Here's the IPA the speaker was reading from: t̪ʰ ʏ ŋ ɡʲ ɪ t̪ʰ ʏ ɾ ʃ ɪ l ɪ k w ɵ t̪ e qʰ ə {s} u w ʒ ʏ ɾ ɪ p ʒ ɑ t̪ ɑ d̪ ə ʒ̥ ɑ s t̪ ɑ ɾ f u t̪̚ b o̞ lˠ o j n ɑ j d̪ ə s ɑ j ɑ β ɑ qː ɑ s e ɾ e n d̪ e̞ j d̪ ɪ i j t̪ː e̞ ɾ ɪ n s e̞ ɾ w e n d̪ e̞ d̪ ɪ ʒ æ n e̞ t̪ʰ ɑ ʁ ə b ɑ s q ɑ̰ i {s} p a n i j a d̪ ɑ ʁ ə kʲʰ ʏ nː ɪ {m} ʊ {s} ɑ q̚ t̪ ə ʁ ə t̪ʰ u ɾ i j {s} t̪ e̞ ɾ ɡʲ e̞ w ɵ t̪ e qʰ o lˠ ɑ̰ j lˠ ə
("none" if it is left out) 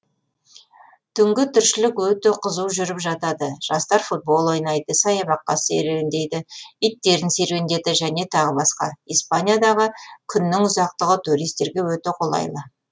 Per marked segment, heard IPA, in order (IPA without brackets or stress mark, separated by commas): z, s, ŋ, z, s